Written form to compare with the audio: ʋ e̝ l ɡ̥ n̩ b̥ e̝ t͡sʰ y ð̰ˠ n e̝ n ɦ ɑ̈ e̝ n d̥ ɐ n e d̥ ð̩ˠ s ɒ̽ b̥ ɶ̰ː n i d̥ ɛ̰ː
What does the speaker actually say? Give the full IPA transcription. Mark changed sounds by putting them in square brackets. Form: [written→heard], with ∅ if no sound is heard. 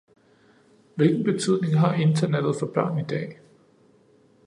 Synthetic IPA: ʋ e̝ l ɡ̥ n̩ b̥ e̝ t͡sʰ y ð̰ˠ n e̝ [n→ŋ] ɦ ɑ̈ e̝ n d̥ ɐ n e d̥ ð̩ˠ [s→f] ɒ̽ b̥ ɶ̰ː n i d̥ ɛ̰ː